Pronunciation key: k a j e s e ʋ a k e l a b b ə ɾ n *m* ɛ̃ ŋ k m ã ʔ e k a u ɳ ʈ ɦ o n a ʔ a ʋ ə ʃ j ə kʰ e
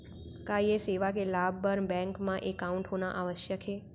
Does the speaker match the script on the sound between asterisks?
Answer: no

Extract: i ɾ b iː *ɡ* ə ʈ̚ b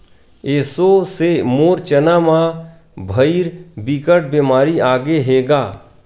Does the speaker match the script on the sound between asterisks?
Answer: no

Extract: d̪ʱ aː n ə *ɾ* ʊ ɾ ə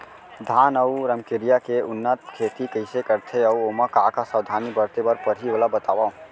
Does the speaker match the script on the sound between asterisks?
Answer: no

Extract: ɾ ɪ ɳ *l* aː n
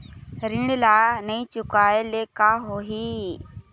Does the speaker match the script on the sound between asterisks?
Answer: yes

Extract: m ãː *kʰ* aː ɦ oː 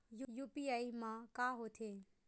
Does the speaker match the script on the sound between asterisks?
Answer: no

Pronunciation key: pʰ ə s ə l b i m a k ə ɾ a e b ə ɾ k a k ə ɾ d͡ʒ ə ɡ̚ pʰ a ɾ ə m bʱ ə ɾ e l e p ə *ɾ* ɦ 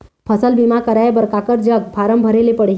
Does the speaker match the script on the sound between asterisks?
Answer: no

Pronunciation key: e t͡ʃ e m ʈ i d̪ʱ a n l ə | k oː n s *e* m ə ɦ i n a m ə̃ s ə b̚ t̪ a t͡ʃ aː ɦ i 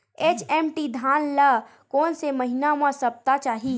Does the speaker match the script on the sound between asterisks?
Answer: yes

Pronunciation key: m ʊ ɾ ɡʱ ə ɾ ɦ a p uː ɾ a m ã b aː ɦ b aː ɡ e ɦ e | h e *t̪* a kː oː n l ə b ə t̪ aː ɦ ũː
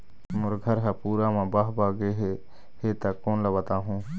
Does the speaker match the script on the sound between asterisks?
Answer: yes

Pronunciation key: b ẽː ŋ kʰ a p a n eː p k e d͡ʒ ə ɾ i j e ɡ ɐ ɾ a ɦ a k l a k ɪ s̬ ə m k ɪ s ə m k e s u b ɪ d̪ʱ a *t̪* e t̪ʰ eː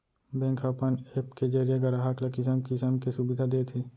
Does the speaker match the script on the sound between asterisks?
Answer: no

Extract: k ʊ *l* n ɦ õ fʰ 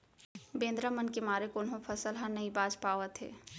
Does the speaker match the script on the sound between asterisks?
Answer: no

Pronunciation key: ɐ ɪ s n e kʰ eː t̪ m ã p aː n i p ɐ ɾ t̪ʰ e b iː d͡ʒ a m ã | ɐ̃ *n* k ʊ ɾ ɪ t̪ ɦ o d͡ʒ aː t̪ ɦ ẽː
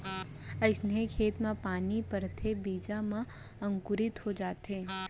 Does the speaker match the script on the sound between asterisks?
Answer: no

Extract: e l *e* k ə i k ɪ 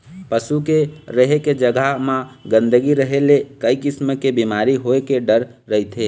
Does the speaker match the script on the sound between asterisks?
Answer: yes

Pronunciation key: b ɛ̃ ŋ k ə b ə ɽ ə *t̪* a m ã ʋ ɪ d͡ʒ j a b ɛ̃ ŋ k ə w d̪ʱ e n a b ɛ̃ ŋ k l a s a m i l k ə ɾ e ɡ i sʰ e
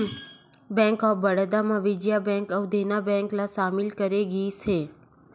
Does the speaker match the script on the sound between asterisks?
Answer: no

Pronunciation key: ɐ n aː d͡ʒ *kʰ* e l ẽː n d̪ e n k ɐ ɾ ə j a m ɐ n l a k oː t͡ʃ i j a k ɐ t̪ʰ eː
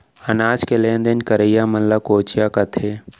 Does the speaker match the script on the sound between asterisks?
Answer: no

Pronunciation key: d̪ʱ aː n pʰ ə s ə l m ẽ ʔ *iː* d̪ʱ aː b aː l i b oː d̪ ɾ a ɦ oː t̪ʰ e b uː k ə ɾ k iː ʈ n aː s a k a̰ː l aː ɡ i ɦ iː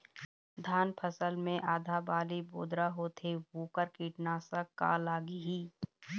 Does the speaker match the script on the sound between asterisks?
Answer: no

